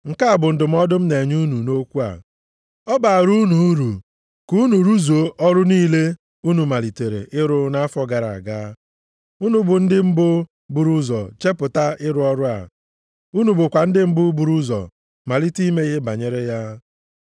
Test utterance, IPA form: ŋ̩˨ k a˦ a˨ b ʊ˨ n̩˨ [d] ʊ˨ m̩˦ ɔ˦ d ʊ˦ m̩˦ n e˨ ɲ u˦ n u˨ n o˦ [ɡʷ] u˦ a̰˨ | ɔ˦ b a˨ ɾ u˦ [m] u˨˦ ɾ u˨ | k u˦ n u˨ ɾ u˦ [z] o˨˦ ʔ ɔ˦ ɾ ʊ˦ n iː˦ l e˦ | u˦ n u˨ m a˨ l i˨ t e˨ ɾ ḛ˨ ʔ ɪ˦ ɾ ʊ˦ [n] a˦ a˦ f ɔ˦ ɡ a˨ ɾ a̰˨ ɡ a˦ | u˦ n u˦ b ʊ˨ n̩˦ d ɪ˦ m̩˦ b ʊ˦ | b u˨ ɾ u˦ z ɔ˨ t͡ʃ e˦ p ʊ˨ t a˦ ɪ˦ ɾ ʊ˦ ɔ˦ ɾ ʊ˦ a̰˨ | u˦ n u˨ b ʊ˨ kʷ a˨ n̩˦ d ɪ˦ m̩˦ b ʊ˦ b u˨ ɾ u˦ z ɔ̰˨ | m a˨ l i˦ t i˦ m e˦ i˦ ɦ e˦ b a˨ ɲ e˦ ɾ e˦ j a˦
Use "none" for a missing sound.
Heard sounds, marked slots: d, kʷ, n, z, n

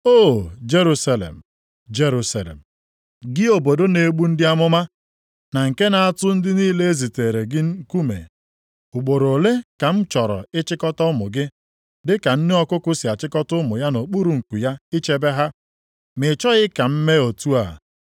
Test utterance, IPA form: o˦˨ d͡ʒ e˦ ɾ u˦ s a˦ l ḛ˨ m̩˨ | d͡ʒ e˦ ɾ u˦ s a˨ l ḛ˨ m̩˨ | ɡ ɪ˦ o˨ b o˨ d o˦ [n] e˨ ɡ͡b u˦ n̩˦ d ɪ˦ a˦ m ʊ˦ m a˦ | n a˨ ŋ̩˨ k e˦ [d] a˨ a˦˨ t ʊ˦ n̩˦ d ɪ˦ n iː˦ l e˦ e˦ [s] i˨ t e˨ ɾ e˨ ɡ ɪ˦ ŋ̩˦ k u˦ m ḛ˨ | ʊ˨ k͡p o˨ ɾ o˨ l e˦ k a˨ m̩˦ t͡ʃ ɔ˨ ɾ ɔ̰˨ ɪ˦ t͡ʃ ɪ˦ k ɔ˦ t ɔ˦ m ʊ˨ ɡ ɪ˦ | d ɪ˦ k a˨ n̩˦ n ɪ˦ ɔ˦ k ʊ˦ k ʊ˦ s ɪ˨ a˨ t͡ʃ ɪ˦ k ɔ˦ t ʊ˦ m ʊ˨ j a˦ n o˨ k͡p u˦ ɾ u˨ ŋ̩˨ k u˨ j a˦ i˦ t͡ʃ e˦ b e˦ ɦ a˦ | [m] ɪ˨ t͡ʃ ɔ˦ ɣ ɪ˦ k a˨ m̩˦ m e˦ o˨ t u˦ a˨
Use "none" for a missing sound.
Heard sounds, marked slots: n, n, z, m

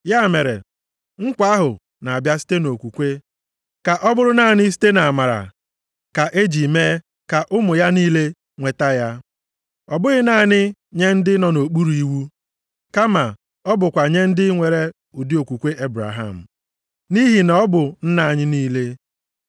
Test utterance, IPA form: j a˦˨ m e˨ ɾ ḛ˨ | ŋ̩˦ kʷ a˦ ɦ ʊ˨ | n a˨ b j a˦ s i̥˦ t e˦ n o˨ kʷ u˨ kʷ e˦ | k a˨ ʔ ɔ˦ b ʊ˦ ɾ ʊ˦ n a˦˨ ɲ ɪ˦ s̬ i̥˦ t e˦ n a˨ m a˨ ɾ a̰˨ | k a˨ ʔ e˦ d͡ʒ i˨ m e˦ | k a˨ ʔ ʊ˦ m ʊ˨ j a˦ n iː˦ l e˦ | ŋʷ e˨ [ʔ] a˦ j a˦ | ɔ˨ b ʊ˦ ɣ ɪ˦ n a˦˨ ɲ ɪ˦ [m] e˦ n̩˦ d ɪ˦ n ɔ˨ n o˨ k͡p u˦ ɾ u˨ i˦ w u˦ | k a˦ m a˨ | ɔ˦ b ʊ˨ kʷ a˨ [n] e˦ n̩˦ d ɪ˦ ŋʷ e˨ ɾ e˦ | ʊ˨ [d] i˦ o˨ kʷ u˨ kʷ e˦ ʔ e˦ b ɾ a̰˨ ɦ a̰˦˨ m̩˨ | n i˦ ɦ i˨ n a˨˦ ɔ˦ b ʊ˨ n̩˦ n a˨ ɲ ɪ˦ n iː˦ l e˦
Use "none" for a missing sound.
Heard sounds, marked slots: t, ɲ, ɲ, d

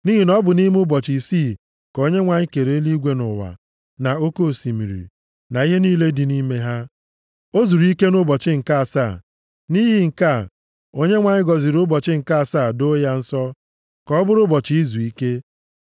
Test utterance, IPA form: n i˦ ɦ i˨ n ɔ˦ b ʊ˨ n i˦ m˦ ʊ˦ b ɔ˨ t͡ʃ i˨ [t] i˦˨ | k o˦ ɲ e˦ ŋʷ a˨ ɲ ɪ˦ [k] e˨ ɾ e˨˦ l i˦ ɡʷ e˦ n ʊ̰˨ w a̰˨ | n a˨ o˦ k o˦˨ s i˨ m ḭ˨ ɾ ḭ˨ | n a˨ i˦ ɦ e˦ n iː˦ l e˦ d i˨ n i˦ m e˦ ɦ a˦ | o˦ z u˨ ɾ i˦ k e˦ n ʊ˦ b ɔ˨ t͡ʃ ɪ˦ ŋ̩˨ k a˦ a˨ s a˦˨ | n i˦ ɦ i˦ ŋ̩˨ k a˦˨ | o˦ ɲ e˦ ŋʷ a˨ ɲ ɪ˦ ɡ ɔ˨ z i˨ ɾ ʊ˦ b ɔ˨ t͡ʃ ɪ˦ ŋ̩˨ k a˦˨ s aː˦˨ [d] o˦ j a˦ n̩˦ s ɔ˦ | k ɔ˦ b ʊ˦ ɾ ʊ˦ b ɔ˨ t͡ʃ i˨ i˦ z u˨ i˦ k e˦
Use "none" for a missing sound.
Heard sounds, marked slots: s, k, d

